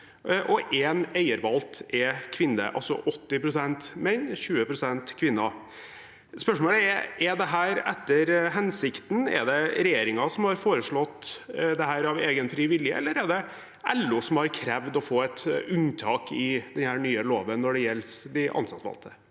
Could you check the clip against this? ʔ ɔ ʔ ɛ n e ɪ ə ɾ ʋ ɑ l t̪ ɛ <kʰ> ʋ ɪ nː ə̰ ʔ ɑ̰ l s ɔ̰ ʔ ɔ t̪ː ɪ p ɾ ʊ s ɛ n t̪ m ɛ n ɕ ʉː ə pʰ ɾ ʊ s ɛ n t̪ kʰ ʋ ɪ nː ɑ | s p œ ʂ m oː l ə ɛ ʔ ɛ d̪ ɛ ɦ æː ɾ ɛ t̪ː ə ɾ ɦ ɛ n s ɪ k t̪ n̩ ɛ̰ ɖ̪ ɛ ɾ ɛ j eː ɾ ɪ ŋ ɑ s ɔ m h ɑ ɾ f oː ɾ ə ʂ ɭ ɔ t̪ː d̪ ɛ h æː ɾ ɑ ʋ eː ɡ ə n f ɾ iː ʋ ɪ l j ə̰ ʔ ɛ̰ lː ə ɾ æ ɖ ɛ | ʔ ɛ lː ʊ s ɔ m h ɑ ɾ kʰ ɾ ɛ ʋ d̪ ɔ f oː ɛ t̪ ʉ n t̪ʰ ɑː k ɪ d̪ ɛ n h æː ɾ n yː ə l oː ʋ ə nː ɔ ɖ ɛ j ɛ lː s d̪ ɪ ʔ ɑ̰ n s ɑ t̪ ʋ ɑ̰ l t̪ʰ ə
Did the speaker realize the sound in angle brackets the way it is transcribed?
yes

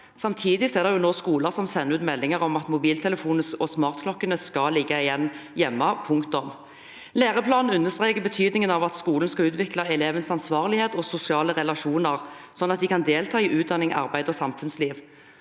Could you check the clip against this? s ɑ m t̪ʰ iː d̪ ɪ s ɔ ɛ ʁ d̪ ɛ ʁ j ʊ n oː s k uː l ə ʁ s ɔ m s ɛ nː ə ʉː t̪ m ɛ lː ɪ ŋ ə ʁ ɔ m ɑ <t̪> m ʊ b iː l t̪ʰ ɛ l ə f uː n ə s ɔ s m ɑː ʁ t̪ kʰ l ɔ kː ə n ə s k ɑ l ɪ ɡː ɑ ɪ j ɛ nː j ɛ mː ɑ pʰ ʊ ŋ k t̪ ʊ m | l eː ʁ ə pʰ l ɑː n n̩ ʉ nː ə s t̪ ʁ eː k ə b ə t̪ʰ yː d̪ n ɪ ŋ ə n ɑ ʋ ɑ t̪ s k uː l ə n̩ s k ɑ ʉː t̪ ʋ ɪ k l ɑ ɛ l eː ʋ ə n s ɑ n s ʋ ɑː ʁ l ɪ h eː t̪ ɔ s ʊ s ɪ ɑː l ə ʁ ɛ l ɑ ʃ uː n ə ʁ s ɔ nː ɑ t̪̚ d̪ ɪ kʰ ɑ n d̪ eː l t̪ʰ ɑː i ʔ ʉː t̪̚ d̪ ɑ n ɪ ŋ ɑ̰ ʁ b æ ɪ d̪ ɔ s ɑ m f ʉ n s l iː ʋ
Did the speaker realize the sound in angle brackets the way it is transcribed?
yes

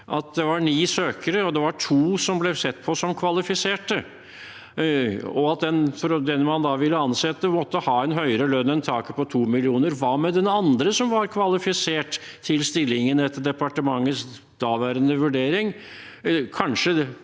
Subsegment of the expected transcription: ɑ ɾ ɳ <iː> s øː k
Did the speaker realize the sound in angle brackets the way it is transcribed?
yes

